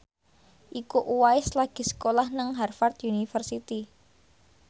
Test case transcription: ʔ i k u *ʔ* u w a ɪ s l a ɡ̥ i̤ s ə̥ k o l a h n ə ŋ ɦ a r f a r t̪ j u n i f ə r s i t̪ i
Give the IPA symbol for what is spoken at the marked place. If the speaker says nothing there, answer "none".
ʔ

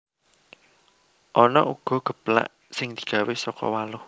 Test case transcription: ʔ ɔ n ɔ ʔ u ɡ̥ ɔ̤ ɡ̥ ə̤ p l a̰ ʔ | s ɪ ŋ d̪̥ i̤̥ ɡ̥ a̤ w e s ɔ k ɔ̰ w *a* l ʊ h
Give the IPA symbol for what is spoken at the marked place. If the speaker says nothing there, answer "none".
a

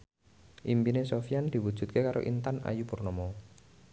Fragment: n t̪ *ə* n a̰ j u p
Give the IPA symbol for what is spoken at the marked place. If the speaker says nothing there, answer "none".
a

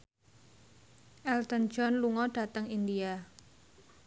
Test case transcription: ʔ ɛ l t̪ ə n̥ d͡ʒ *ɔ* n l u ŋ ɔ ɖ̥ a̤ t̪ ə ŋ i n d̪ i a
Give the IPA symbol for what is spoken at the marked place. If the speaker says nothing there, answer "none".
ɔ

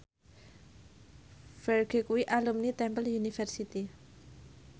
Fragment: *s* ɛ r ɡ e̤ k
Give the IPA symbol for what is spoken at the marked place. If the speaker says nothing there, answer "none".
f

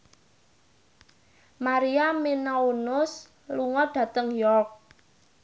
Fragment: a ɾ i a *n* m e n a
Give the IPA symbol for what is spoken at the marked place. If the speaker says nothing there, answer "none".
none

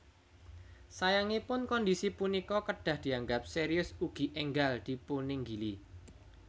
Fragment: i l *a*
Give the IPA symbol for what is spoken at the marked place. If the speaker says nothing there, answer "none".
i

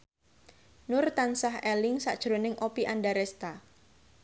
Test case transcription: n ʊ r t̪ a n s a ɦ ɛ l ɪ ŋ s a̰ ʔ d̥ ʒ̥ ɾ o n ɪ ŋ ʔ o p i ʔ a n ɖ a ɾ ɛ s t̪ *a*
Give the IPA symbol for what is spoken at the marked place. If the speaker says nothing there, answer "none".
a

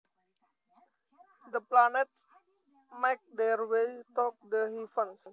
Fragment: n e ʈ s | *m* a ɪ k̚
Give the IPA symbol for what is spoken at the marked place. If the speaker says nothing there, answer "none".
m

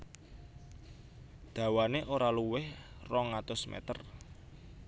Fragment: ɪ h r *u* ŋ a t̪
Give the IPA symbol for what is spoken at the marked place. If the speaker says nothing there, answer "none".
ɔ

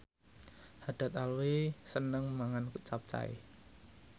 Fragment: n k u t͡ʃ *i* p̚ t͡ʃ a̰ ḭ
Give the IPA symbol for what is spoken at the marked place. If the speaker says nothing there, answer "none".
a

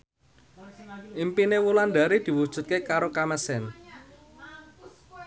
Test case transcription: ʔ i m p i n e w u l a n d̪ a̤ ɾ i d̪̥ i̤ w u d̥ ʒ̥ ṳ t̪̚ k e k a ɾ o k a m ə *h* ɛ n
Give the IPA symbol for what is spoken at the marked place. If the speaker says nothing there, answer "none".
s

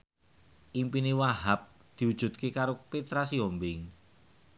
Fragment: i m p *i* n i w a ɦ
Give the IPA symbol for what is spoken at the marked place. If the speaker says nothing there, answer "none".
i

